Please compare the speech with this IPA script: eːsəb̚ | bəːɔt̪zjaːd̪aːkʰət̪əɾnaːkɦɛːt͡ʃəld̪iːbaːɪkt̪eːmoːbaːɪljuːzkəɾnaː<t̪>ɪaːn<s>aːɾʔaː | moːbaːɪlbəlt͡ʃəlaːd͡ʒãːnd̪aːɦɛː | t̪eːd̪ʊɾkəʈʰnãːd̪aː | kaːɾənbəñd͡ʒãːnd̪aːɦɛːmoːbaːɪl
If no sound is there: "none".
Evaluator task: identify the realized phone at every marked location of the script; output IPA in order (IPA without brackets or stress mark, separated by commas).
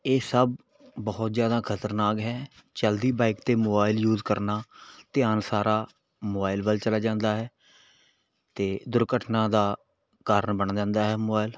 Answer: t̪, s